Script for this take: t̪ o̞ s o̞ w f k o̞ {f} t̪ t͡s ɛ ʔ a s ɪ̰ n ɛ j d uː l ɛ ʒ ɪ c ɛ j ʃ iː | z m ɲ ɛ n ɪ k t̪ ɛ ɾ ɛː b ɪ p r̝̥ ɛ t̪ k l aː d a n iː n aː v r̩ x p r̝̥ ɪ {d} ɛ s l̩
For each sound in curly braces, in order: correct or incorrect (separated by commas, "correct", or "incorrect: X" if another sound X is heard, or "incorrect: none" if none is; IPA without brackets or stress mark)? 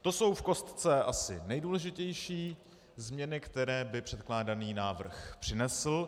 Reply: incorrect: s, incorrect: n